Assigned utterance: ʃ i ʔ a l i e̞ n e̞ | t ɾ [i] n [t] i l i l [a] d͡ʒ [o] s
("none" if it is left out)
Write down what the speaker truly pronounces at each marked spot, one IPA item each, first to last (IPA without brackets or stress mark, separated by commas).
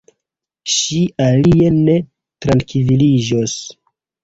a, k, i, o